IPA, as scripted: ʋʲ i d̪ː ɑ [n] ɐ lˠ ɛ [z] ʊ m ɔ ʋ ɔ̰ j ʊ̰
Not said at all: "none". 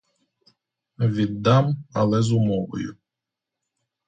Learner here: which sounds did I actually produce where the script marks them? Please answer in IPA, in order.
m, z

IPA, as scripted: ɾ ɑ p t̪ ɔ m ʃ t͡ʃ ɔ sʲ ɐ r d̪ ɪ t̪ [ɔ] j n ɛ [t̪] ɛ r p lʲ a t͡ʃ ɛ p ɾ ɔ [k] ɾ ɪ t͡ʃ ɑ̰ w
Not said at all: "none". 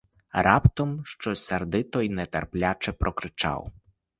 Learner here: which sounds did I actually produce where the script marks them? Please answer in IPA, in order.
ɔ, t̪, k

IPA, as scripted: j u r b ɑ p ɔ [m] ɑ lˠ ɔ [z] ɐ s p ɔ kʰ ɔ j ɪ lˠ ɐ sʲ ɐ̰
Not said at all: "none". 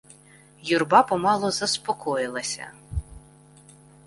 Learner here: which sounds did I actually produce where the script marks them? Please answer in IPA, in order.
m, z

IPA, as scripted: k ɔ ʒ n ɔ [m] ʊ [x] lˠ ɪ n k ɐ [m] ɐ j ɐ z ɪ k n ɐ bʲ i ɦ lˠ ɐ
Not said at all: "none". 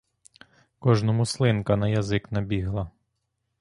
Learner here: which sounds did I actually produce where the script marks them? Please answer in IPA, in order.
m, s, n

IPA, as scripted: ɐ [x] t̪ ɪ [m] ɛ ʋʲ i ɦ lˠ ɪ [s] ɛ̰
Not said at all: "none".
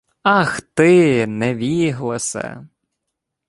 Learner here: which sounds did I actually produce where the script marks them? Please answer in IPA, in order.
x, n, s

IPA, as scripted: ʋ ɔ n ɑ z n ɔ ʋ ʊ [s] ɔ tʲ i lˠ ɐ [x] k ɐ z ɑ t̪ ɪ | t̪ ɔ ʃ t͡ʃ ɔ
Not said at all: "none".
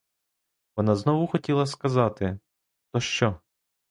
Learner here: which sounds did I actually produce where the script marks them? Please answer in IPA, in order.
x, s

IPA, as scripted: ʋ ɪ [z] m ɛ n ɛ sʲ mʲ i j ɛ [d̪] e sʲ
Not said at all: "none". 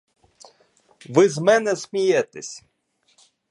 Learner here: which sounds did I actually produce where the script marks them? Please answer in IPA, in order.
z, t̪

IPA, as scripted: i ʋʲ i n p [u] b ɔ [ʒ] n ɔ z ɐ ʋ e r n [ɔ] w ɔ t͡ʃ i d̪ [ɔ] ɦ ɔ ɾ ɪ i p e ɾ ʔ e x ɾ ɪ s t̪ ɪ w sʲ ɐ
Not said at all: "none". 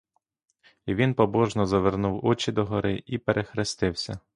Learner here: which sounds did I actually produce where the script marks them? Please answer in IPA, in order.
ɔ, ʒ, u, ɔ

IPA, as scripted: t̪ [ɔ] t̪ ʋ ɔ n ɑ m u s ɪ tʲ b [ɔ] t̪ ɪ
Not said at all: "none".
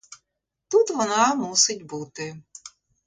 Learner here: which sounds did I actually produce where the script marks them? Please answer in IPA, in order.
u, u

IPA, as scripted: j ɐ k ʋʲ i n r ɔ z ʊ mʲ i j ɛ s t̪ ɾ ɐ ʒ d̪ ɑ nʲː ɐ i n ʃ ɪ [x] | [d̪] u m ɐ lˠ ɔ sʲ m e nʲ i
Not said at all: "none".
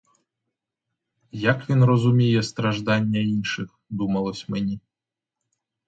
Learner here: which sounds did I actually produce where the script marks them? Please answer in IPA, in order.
x, d̪

